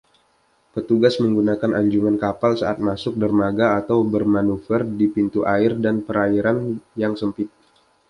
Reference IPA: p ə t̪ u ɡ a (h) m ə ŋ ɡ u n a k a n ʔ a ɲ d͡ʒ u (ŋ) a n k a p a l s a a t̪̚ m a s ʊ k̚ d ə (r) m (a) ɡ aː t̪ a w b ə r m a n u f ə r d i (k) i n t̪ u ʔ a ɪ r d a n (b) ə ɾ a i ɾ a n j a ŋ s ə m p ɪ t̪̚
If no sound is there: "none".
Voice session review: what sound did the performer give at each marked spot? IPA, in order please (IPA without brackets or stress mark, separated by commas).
s, ŋ, r, a, p, p